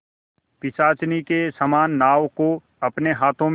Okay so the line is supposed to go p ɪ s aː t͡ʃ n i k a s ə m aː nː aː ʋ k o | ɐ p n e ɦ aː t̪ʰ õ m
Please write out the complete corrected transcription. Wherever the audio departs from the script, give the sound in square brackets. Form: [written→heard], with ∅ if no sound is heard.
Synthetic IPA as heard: p ɪ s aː t͡ʃ n i k [a→e] s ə m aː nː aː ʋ k o | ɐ p n e ɦ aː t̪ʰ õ m